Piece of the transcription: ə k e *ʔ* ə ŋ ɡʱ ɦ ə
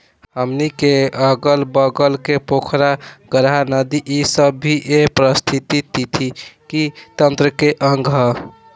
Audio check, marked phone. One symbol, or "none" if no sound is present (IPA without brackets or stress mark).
ʔ